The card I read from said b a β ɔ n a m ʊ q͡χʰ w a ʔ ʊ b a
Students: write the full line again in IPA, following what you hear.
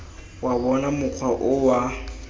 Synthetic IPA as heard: w a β ɔ n a m ʊ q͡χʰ w a ʔ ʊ w a

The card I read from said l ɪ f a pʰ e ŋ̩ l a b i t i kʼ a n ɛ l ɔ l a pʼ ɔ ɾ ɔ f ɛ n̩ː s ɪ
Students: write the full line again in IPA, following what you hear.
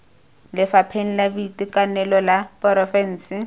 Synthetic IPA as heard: l ɪ f a pʰ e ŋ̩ l a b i t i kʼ a n ɛ l ɔ l a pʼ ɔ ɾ ɔ f ɛ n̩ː s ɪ

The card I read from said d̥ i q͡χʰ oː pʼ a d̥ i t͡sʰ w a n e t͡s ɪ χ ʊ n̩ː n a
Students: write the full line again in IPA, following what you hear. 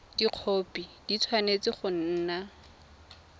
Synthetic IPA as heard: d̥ i q͡χʰ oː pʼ i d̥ i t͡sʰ w a n e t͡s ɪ χ ʊ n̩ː n a

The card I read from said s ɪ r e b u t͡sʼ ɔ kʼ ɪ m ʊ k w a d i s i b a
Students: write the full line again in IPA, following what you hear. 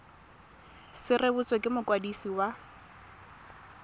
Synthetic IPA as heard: s ɪ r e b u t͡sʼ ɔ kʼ ɪ m ʊ k w a d i s i w a

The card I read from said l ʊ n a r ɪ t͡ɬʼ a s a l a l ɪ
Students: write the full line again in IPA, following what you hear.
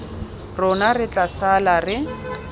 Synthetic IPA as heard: r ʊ n a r ɪ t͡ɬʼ a s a l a r ɪ

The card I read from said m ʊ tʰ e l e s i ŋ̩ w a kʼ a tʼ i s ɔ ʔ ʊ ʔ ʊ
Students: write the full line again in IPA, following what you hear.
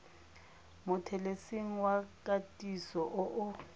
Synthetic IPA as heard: m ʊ tʰ ɛ l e s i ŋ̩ w a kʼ a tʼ i s ɔ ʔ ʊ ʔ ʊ

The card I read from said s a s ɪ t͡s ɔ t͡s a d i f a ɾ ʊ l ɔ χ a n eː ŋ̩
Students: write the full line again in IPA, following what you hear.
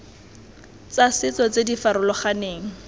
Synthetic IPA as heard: t͡s a s ɪ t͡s ɔ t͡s e d i f a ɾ ʊ l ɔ χ a n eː ŋ̩

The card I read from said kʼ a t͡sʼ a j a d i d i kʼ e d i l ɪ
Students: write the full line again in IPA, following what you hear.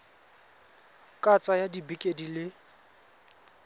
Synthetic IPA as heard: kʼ a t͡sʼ a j a d i b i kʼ e d i l ɪ

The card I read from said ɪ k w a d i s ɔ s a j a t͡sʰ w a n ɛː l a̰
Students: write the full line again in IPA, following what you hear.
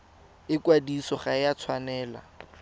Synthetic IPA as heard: ɪ k w a d i s ɔ χ a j a t͡sʰ w a n ɛː l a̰

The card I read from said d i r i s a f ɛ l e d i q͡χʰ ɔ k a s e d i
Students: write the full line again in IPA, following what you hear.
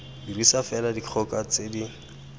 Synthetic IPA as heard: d i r i s a f ɛ l a d i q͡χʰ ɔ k a t͡s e d i

